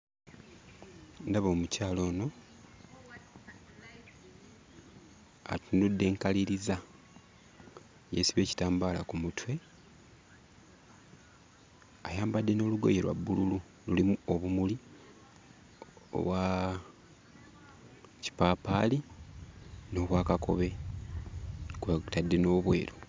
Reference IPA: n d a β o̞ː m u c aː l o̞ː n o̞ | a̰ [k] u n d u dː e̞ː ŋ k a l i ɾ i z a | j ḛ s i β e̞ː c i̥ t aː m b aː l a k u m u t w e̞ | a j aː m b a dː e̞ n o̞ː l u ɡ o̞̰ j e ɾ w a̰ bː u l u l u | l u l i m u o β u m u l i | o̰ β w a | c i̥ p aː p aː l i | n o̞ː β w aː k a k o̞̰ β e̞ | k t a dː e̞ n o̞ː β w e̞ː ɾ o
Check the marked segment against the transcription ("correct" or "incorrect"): incorrect